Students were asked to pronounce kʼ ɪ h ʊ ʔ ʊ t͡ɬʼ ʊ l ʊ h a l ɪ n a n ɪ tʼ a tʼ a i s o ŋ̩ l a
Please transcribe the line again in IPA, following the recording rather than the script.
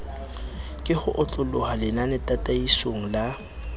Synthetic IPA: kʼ ɪ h ʊ ʔ ʊ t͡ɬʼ ʊ l ʊ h a l ɪ n a n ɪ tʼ a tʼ a i s o ŋ̩ l a